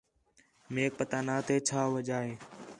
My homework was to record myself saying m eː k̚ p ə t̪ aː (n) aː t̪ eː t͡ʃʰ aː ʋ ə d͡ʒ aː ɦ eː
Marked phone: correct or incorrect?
correct